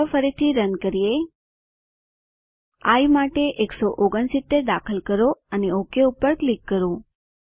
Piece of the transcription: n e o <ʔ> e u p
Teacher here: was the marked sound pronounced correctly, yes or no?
no